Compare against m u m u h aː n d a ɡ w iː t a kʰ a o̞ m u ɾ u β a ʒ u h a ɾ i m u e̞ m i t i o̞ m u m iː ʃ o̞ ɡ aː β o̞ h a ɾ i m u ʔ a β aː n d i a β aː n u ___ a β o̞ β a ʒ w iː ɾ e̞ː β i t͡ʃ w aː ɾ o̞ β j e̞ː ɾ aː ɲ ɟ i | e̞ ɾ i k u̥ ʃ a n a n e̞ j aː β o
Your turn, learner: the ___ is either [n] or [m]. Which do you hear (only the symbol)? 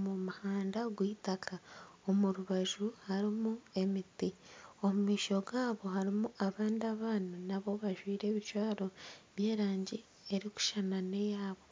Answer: n